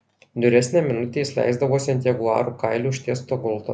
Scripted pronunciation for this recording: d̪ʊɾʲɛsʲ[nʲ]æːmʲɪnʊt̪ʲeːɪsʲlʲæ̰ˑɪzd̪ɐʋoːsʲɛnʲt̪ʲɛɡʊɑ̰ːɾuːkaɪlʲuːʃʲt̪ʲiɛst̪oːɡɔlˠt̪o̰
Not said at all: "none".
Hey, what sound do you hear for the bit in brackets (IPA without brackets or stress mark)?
nʲ